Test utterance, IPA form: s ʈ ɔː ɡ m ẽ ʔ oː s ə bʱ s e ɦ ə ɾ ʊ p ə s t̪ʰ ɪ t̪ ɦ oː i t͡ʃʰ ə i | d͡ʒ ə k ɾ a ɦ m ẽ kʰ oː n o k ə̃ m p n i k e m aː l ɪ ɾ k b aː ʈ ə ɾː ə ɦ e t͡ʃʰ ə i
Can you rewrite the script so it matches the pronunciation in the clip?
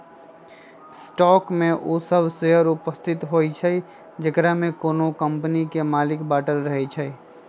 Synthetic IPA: s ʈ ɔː k m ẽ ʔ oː s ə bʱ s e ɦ ə ɾ ʊ p ə s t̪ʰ ɪ t̪ ɦ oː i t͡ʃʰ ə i | d͡ʒ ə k ɾ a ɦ m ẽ k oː n o k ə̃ m p n i k e m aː l ɪ k b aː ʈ ə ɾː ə ɦ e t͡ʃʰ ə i